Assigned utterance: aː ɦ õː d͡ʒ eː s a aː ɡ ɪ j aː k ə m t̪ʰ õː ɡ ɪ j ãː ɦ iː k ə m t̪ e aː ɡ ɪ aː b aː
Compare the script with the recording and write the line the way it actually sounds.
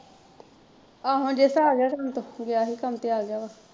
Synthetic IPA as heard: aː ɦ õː d͡ʒ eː s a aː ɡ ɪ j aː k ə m t̪ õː ɡ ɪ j aː ɦ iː k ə m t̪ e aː ɡ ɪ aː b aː